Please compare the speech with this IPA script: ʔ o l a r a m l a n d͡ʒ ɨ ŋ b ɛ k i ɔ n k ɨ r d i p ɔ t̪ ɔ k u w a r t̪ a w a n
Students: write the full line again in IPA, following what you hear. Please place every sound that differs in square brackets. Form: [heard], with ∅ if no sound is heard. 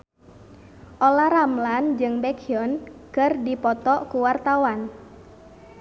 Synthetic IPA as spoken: ʔ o l a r a m l a n d͡ʒ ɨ ŋ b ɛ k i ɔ n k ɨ r d i p ɔ t̪ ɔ k u w a r t̪ a w a n